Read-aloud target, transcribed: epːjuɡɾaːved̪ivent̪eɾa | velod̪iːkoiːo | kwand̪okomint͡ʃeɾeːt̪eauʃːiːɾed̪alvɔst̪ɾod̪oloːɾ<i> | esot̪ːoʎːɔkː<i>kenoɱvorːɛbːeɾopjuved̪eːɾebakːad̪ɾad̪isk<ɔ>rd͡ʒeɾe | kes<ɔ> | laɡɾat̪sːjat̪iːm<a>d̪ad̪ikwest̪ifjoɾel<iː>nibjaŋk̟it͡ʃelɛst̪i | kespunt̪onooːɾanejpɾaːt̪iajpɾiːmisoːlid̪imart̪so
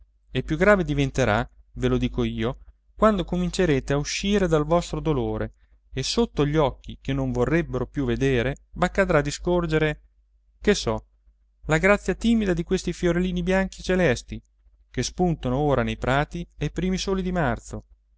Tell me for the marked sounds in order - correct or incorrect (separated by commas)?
incorrect, correct, incorrect, correct, incorrect, correct